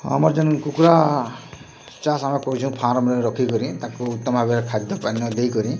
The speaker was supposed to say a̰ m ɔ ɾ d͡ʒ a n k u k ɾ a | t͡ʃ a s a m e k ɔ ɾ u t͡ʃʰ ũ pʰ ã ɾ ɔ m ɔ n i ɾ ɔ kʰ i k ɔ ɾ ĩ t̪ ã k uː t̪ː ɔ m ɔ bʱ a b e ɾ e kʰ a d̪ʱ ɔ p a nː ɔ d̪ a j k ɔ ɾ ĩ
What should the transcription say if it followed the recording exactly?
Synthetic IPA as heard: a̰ m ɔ ɾ d͡ʒ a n k u k ɾ a | t͡ʃ a s a m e k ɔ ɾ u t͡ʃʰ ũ pʰ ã ɾ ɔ m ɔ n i ɾ ɔ kʰ i k ɔ ɾ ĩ t̪ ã k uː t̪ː ɔ m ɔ bʱ a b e ɾ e kʰ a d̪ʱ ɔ p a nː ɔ d̪ e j k ɔ ɾ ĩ

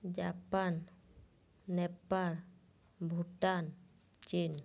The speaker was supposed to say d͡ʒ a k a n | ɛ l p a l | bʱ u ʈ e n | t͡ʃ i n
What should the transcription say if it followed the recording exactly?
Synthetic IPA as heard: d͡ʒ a p a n | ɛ p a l | bʱ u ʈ a n | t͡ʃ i n

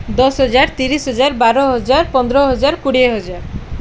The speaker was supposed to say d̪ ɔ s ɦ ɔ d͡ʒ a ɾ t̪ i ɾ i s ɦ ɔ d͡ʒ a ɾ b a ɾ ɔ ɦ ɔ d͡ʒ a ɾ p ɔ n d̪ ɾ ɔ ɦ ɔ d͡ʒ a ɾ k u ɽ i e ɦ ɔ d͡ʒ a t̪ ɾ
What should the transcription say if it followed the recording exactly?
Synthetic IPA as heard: d̪ ɔ s ɦ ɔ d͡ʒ a ɾ t̪ i ɾ i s ɦ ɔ d͡ʒ a ɾ b a ɾ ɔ ɦ ɔ d͡ʒ a ɾ p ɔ n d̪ ɾ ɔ ɦ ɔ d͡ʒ a ɾ k u ɽ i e ɦ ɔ d͡ʒ a ɾ

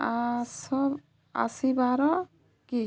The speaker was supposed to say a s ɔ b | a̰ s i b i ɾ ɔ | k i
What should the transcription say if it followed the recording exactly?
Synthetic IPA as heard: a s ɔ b | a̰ s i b a ɾ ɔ | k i

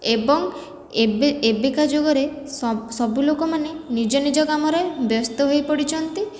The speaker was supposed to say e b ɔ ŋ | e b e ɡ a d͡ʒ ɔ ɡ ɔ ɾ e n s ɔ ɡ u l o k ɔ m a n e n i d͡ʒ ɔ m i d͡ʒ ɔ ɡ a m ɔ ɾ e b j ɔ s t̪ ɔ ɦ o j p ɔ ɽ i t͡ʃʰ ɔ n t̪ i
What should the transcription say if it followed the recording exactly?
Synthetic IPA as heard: e b ɔ ŋ | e b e k a d͡ʒ o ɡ ɔ ɾ e s ɔ b u l o k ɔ m a n e n i d͡ʒ ɔ n i d͡ʒ ɔ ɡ a m ɔ ɾ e b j ɔ s t̪ ɔ ɦ o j p ɔ ɽ i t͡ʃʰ ɔ n t̪ i

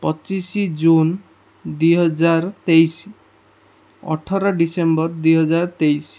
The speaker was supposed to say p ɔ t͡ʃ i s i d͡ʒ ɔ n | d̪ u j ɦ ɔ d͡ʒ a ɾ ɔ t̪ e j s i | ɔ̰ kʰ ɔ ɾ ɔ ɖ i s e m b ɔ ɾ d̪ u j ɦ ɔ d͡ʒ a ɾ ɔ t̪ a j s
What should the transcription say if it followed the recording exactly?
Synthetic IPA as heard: p ɔ t͡ʃ i s i d͡ʒ u n | d̪ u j ɦ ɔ d͡ʒ a ɾ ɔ t̪ e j s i | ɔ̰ ʈʰ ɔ ɾ ɔ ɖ i s e m b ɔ ɾ d̪ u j ɦ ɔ d͡ʒ a ɾ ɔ t̪ e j s

